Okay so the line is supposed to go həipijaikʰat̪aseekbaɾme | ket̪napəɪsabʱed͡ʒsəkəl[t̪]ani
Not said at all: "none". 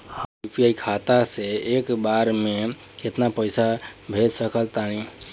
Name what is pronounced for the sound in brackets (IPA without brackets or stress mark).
t̪